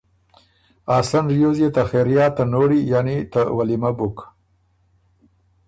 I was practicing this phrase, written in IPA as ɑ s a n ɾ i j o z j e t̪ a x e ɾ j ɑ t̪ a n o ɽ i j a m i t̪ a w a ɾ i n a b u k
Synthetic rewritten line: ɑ s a n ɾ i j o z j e t̪ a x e ɾ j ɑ t̪ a n o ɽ i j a n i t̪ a w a l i m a b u k